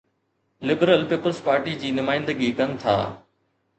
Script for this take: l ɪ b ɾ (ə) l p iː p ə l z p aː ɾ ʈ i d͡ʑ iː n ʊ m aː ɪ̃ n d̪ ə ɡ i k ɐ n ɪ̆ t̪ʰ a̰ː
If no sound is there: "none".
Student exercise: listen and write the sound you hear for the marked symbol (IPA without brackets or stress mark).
ə